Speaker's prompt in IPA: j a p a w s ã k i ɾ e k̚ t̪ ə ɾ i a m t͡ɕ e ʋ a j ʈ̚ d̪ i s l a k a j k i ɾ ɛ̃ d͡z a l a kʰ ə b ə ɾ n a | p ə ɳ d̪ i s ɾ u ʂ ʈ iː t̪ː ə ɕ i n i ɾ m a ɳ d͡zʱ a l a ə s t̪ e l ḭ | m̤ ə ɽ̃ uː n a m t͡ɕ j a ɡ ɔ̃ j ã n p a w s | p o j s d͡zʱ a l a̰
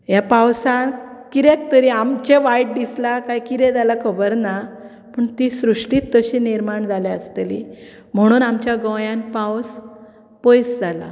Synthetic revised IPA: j a p a w s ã k i ɾ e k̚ t̪ ə ɾ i a m t͡ɕ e ʋ a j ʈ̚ d̪ i s l a k a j k i ɾ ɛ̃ d͡z a l a kʰ ə b ə ɾ n a | p ə ɳ t̪ i s ɾ u ʂ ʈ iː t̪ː ə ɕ i n i ɾ m a ɳ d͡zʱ a l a ə s t̪ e l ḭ | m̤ ə ɽ̃ uː n a m t͡ɕ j a ɡ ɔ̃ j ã n p a w s | p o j s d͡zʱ a l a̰

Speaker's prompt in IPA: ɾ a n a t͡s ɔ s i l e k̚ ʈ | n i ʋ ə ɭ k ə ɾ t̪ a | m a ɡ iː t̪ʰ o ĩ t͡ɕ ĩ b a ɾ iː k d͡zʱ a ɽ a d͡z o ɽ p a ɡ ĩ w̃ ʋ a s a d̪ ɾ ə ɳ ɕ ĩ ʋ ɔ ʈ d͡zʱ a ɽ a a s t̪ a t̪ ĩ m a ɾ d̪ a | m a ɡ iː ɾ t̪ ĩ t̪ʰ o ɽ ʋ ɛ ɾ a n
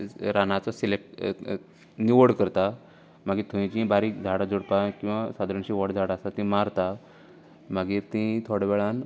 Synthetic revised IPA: ɾ a n a t͡s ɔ s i l e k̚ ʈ | n i ʋ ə ɽ k ə ɾ t̪ a | m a ɡ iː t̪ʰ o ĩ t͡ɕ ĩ b a ɾ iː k d͡zʱ a ɽ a d͡z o ɽ p a k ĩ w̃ ʋ a s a d̪ ɾ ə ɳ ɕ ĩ ʋ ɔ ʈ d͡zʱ a ɽ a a s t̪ a t̪ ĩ m a ɾ t̪ a | m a ɡ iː ɾ t̪ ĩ t̪ʰ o ɽ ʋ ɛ ɭ a n

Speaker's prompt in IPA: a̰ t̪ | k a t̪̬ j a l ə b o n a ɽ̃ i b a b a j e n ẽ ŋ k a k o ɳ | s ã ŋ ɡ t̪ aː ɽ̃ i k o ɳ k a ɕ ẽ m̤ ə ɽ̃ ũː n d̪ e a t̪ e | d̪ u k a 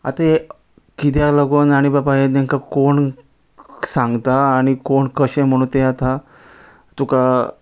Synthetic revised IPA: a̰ t̪ | k i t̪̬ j a l ə ɡ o n a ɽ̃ i b a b a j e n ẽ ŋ k a k o ɳ | s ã ŋ ɡ t̪ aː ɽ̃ i k o ɳ k ə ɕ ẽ m̤ ə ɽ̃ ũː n t̪ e a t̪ a | t̪ u k a

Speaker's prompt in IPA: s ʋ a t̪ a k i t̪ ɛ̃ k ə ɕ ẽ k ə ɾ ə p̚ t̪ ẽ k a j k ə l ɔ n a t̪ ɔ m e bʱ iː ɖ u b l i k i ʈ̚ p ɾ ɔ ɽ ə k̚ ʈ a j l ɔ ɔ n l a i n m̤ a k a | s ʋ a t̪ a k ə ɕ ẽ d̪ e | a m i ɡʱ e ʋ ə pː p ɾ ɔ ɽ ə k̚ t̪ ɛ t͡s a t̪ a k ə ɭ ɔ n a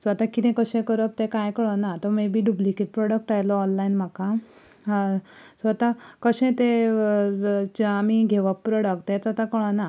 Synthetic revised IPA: s ʋ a t̪ a k i t̪ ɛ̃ k ə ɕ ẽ k ə ɾ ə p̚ t̪ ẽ k a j k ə ɭ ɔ n a t̪ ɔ m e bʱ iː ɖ u b l i k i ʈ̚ p ɾ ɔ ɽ ə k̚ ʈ a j l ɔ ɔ n l a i n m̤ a k a | s ʋ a t̪ a k ə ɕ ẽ t̪ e | a m i ɡʱ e ʋ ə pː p ɾ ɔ ɽ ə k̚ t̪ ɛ t͡s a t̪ a k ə ɭ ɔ n a

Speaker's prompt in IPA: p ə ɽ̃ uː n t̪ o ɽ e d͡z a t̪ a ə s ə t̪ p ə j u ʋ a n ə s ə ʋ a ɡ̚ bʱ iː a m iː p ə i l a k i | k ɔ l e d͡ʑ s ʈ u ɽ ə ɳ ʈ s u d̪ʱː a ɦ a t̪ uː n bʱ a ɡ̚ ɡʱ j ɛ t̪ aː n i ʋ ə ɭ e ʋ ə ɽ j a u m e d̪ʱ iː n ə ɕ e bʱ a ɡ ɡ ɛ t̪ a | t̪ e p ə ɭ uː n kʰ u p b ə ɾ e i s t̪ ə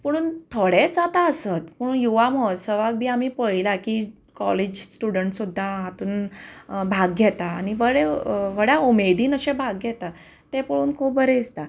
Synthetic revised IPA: p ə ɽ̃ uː n t̪ʰ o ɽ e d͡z a t̪ a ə s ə t̪ p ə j u ʋ a m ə s ə ʋ a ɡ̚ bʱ iː a m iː p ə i l a k i | k ɔ l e d͡ʑ s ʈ u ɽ ə ɳ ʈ s u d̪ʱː a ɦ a t̪ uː n bʱ a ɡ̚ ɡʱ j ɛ t̪ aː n i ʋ ə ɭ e ʋ ə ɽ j a u m e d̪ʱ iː n ə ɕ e bʱ a ɡ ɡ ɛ t̪ a | t̪ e p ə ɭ uː n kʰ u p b ə ɾ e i s t̪ a

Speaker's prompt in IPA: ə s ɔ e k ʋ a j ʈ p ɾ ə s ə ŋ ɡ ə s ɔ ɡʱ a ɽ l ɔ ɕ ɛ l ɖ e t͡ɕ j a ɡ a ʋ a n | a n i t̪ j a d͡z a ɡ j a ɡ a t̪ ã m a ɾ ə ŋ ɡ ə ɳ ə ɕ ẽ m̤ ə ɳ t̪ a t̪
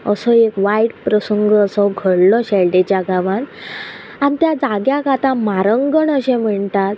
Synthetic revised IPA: ə s ɔ e k ʋ a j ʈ p ɾ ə s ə ŋ ɡ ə s ɔ ɡʱ ə ɽ l ɔ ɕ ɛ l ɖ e t͡ɕ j a ɡ a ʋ a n | a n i t̪ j a d͡z a ɡ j a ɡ a t̪ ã m a ɾ ə ŋ ɡ ə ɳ ə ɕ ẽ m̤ ə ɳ t̪ a t̪

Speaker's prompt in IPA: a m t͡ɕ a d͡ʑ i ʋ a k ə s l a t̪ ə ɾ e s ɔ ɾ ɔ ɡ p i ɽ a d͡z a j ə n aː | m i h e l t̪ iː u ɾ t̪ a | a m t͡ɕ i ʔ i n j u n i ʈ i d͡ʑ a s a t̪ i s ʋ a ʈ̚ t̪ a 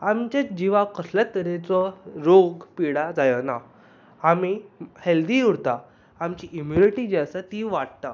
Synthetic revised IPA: a m t͡ɕ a d͡ʑ i ʋ a k ə s l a t̪ ə ɾ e t͡s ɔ ɾ o ɡ p i ɽ a d͡z a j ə n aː | m i h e l d̪ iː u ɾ t̪ a | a m t͡ɕ i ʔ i m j u n i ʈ i d͡ʑ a s a t̪ i ʋ a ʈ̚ t̪ a

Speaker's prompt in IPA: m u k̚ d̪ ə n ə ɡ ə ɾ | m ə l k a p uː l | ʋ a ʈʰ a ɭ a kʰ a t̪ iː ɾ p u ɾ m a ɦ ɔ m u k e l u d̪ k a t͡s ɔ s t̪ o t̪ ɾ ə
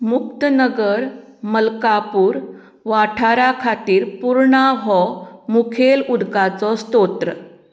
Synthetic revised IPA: m u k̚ t̪ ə n ə ɡ ə ɾ | m ə l k a p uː ɾ | ʋ a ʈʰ a ɾ a kʰ a t̪ iː ɾ p u ɾ ɳ a ɦ ɔ m u kʰ e l u d̪ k a t͡s ɔ s t̪ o t̪ ɾ ə

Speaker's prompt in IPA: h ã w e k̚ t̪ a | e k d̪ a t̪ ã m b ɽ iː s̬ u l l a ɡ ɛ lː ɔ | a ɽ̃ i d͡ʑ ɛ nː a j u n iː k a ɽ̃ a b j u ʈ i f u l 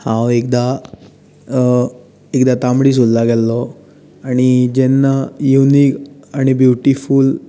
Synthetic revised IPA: h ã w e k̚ d̪ a | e k d̪ a t̪ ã m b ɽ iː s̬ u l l a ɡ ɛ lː ɔ | a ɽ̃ i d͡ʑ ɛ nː a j u n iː k a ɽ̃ i b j u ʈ i f u l

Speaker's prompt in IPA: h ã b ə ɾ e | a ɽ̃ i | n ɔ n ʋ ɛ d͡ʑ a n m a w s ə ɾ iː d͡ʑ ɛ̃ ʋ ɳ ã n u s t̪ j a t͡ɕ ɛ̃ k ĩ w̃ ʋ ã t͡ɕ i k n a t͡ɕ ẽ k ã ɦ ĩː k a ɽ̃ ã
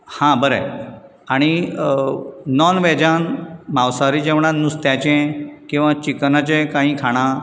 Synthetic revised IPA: h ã b ə ɾ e | a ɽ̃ i | n ɔ n ʋ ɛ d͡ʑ a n m a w s a ɾ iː d͡ʑ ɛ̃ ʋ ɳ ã n u s t̪ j a t͡ɕ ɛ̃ k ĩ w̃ ʋ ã t͡ɕ i k n a t͡ɕ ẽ k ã ɦ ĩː kʰ a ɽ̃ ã

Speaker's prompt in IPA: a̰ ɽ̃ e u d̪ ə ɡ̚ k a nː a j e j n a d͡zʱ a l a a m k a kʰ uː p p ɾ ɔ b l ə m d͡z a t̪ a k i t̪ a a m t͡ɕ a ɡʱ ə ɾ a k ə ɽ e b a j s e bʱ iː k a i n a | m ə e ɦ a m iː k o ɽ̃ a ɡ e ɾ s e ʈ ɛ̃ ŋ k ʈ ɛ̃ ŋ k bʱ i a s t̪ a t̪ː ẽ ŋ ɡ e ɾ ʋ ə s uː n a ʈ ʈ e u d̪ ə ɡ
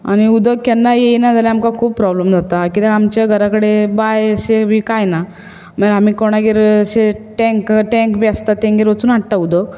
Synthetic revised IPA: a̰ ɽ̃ i u d̪ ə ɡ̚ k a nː a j e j n a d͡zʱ a l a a m k a kʰ uː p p ɾ ɔ b l ə m d͡z a t̪ a k i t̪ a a m t͡ɕ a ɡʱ ə ɾ a k ə ɽ e b a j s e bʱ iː k a j n a | m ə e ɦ a m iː k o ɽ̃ a ɡ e ɾ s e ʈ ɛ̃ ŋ k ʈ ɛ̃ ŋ k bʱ i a s t̪ a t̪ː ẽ ŋ ɡ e ɾ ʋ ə t͡s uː n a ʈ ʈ a u d̪ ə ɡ

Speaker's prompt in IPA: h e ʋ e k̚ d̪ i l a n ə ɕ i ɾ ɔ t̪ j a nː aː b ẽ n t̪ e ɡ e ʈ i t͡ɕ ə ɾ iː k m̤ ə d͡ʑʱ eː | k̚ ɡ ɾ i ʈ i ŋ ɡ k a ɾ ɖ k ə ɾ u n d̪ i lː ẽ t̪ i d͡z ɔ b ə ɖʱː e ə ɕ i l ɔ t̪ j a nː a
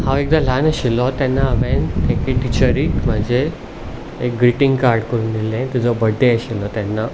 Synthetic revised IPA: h a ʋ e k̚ d̪ a l a n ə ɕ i l ɔ t̪ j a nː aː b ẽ n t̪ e k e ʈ i t͡ɕ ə ɾ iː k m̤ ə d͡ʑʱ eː | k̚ ɡ ɾ i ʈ i ŋ ɡ k a ɾ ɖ k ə ɾ u n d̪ i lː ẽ t̪ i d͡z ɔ b ə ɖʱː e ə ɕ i l ɔ t̪ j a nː a

